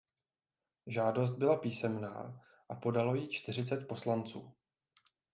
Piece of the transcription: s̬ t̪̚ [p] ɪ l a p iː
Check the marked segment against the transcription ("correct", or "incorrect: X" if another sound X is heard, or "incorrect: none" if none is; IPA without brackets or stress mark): incorrect: b